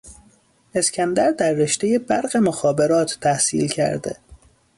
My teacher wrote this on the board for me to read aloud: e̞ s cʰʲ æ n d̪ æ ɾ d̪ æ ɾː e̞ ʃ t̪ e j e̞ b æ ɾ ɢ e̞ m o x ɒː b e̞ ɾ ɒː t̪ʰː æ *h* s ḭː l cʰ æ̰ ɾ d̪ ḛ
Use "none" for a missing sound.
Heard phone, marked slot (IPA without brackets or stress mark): h